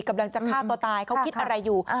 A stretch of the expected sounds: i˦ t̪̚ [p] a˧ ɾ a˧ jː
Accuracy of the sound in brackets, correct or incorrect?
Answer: incorrect